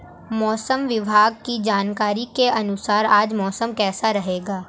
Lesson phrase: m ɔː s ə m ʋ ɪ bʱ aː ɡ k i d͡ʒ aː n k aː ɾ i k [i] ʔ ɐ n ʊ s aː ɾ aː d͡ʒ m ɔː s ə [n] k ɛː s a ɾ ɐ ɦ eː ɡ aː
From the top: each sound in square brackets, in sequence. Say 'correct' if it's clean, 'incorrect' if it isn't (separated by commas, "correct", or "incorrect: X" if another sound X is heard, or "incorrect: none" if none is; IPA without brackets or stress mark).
incorrect: e, incorrect: m